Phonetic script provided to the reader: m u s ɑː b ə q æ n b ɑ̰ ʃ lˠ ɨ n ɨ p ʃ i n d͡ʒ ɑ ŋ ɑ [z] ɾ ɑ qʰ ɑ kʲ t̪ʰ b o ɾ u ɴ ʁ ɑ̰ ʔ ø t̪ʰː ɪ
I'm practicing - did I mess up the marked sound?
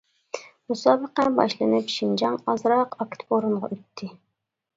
no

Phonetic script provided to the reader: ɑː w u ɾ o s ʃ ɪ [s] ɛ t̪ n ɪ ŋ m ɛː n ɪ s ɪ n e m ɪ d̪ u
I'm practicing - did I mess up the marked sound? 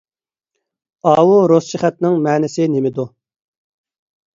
yes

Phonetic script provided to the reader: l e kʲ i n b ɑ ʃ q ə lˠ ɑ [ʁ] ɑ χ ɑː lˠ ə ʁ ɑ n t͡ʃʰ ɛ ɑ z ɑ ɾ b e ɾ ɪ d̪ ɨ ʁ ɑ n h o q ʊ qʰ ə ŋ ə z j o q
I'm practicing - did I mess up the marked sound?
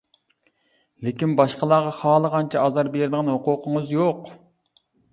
no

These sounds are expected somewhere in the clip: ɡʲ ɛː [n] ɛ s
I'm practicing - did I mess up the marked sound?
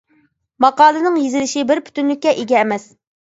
yes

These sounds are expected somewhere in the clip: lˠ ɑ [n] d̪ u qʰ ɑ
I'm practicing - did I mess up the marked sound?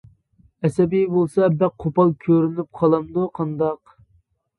yes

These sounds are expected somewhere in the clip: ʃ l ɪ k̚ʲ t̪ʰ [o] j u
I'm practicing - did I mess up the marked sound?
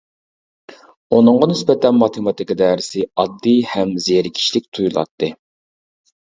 yes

